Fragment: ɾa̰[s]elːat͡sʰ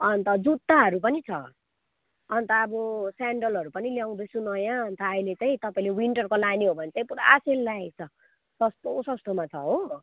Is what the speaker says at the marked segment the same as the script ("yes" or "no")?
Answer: yes